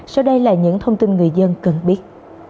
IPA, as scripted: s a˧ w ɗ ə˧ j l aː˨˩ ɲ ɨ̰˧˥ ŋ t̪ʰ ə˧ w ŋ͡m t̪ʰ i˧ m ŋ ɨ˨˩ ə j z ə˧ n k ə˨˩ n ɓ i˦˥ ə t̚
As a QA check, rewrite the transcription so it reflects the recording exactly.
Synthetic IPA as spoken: s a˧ w ɗ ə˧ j l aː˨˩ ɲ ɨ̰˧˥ ŋ t̪ʰ ə˧ w ŋ͡m t̪ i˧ n ŋ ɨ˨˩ ə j z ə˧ n k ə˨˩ n ɓ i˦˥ ə t̚